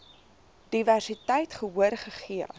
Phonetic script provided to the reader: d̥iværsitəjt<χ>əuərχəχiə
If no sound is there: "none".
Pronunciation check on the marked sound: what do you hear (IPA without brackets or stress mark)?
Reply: χ